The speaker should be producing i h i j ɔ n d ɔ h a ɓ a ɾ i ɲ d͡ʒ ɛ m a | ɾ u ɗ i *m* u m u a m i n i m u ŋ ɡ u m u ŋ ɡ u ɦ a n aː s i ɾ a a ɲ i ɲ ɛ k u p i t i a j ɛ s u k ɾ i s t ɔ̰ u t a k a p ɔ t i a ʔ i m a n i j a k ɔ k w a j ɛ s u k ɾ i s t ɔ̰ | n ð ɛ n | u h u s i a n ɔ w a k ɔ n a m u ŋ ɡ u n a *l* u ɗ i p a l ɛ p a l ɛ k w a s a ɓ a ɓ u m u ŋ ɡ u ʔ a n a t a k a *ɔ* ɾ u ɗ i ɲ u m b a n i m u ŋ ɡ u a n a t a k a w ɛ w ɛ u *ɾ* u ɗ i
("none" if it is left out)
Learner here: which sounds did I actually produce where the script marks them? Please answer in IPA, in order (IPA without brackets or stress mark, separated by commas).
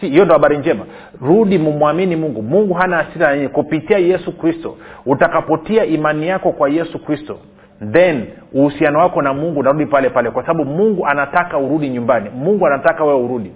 m, ɾ, u, ɾ